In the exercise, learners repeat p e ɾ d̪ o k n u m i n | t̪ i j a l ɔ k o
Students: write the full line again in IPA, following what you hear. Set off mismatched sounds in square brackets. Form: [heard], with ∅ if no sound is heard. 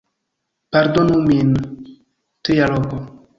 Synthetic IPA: p [a] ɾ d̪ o [∅] n u m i n | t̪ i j a l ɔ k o